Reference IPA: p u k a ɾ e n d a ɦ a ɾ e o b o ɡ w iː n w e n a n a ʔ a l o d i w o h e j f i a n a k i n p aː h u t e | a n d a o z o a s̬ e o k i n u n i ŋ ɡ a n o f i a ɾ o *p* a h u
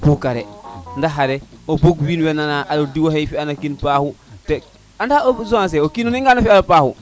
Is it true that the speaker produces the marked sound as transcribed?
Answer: yes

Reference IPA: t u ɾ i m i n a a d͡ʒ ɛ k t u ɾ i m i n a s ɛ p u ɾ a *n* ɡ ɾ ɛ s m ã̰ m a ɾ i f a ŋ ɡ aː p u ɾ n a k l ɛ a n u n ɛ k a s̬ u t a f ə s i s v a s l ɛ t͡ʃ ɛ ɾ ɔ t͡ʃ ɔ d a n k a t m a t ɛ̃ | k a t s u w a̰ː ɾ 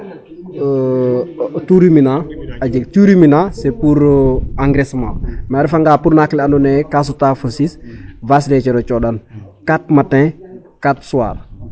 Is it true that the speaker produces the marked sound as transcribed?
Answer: no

